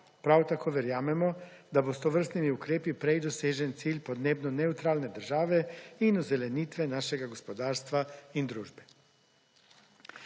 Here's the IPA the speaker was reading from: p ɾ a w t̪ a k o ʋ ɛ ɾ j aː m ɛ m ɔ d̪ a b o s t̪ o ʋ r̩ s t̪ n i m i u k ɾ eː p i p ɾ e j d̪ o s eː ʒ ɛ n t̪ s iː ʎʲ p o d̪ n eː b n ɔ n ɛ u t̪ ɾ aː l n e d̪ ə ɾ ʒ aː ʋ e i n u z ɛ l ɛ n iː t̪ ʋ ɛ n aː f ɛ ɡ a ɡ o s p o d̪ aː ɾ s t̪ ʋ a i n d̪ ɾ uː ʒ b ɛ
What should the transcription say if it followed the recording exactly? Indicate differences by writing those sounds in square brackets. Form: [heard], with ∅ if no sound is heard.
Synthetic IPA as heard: p ɾ a w t̪ a k o ʋ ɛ ɾ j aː m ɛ m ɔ d̪ a b o s t̪ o ʋ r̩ s t̪ n i m i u k ɾ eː p i p ɾ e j d̪ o s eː ʒ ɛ n t̪ s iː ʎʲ p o d̪ n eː b n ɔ n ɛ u t̪ ɾ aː l n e d̪ ə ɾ ʒ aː ʋ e i n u z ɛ l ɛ n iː t̪ ʋ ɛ n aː [ʃ] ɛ ɡ a ɡ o s p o d̪ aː ɾ s t̪ ʋ a i n d̪ ɾ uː ʒ b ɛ